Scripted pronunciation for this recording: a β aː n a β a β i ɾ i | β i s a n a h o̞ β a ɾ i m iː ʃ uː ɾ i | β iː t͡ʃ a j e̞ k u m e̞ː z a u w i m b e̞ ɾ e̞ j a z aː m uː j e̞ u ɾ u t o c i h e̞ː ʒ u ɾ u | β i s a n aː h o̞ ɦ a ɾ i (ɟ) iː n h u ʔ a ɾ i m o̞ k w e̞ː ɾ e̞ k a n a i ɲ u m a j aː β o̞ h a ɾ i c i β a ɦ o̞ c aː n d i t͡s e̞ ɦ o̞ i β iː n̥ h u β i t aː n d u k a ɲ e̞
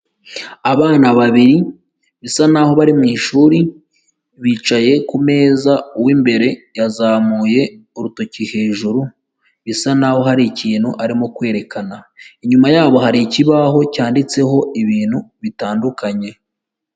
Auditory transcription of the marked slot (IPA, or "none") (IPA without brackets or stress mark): c